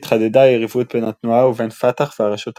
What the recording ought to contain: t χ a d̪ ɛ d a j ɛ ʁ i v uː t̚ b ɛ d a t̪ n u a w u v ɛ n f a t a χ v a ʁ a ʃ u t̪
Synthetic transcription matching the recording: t χ a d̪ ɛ d a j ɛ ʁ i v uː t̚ b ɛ n a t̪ n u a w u v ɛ n f a t a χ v a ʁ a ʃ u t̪